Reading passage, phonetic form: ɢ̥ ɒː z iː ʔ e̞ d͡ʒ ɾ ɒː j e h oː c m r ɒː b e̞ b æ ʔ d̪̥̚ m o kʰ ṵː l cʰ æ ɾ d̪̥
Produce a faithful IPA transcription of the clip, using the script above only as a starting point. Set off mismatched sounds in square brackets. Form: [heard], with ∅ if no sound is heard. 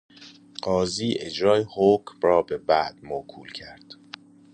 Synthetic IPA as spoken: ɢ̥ ɒː z iː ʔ e̞ d͡ʒ ɾ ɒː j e h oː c m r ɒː b e̞ b æ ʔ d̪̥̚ m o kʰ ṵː l cʰ æ ɾ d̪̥